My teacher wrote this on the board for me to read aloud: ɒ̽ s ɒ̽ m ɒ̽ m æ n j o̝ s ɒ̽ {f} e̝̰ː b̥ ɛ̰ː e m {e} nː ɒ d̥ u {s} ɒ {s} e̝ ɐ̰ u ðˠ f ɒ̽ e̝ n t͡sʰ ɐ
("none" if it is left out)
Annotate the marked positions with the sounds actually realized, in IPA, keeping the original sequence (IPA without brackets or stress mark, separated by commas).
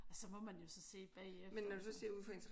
s, e, s, s